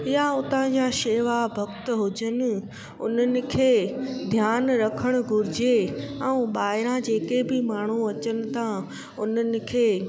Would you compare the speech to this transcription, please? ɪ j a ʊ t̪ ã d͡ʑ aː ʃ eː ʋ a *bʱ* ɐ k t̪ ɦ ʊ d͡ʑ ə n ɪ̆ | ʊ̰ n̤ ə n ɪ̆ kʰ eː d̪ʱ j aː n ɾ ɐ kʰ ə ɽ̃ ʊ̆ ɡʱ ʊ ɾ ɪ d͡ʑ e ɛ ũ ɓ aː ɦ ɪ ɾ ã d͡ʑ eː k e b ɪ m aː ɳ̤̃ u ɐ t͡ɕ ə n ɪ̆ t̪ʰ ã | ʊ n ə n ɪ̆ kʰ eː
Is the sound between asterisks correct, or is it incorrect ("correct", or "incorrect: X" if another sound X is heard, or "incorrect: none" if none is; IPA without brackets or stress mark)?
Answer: correct